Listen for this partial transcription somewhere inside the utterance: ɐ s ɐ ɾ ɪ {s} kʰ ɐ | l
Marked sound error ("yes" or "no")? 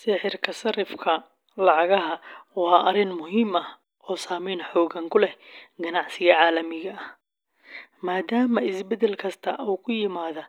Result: yes